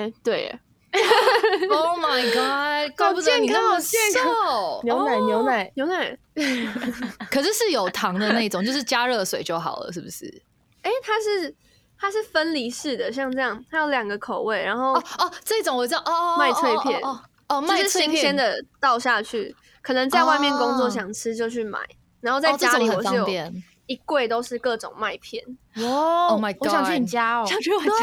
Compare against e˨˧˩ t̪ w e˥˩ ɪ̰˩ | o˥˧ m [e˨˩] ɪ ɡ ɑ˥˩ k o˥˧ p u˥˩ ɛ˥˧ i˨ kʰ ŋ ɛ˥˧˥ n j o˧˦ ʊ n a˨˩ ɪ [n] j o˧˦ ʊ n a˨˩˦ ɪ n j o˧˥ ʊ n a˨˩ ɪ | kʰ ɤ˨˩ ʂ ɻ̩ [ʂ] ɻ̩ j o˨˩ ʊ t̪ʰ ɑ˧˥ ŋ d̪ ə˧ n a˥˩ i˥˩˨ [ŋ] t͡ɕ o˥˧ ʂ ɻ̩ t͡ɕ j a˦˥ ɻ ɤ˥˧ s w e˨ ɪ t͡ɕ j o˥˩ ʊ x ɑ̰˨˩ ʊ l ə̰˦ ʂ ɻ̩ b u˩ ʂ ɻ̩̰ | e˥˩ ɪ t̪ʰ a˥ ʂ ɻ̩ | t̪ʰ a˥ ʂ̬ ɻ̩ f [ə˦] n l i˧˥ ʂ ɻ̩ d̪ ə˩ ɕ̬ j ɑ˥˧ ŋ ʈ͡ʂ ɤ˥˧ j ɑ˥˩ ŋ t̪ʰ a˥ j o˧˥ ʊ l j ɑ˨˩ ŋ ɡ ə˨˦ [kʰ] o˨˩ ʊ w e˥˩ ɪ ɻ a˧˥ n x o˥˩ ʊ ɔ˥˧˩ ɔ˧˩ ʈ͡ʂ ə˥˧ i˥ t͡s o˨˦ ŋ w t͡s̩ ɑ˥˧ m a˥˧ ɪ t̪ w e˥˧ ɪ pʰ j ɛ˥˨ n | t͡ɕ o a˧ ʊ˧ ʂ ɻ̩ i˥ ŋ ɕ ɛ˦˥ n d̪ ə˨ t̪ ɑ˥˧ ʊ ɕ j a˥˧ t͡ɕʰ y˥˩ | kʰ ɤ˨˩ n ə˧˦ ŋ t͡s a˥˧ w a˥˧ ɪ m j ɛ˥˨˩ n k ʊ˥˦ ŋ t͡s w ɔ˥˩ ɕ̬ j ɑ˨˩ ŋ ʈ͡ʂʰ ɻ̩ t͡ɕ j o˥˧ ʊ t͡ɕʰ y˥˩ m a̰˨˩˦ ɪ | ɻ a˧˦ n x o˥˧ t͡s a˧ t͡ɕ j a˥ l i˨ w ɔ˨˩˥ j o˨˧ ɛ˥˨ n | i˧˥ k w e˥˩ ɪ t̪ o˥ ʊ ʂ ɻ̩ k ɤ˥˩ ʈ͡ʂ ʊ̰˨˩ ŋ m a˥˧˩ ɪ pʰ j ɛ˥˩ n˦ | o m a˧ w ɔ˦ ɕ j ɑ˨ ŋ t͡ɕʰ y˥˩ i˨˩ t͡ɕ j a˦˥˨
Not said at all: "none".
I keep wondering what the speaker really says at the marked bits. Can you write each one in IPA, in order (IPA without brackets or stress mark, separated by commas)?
a˨˩, n, ʂ, ŋ, ə˦, kʰ